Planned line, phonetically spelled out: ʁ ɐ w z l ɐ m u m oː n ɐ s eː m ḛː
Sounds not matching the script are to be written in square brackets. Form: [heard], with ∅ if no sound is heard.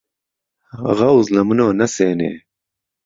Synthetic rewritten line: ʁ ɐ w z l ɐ m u [n] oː n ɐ s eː [n] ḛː